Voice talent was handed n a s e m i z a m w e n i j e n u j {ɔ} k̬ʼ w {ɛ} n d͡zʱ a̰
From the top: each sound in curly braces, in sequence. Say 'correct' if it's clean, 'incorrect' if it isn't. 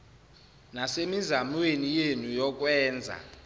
correct, incorrect: ɛː

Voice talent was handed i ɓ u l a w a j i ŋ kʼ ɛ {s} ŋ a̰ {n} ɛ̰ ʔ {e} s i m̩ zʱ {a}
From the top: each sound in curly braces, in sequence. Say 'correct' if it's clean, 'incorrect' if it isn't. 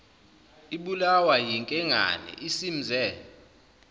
incorrect: none, correct, incorrect: i, incorrect: ɛ

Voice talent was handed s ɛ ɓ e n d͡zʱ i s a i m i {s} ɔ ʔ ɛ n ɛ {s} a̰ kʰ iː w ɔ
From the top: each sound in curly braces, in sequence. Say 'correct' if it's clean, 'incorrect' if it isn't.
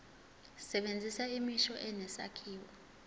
incorrect: ʃ, correct

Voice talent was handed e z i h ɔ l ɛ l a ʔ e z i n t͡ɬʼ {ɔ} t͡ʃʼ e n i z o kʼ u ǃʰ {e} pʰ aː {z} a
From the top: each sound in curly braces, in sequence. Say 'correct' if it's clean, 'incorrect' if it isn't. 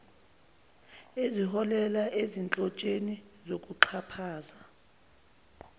correct, incorrect: a, correct

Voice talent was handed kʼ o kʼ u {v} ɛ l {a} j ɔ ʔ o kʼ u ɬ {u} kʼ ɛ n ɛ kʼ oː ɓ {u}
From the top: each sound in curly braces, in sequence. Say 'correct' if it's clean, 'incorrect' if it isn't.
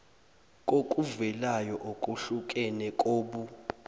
correct, correct, correct, correct

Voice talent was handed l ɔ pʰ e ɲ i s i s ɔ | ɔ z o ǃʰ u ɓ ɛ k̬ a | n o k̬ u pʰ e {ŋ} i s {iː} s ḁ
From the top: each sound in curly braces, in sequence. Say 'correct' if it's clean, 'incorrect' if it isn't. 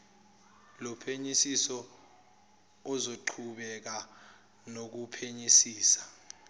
incorrect: ɲ, correct

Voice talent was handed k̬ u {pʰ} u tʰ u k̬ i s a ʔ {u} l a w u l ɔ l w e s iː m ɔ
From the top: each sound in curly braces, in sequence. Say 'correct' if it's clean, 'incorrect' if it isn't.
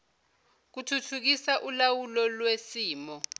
incorrect: tʰ, correct

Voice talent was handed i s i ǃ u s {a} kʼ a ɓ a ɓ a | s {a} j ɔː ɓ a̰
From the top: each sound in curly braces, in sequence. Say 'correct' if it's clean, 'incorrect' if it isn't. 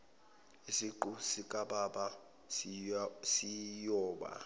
incorrect: i, incorrect: i

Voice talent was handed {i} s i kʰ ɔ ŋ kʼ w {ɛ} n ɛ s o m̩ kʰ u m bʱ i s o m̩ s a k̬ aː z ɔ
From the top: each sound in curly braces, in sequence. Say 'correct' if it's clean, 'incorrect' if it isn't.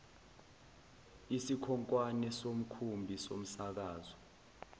correct, incorrect: a

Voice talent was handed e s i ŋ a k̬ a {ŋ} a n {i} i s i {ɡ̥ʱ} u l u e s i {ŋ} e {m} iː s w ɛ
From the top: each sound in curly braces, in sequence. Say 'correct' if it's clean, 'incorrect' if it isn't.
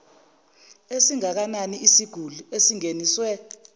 incorrect: n, correct, correct, correct, incorrect: n

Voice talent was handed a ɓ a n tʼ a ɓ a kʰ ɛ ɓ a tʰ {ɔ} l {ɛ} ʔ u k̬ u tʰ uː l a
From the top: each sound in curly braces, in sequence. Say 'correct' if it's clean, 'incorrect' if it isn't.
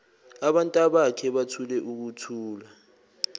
incorrect: u, correct

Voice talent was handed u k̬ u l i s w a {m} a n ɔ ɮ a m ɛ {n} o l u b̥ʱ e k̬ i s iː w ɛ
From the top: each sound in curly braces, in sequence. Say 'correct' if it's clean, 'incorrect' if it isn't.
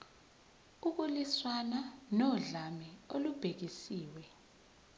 incorrect: n, incorrect: none

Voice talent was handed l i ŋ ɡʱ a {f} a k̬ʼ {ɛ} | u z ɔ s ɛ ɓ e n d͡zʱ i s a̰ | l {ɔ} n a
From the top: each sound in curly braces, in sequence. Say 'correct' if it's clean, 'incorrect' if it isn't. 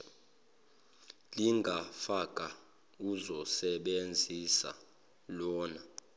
correct, incorrect: a, incorrect: ɔː

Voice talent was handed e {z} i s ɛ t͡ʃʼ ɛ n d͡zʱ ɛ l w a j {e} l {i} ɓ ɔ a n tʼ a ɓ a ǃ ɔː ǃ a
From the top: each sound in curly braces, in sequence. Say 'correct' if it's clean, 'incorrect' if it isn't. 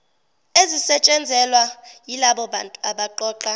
correct, incorrect: i, incorrect: a

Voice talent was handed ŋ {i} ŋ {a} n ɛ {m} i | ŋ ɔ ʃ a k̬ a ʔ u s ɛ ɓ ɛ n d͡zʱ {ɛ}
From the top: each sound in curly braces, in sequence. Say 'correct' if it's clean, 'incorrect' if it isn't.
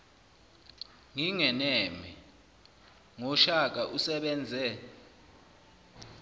correct, incorrect: ɛ, correct, correct

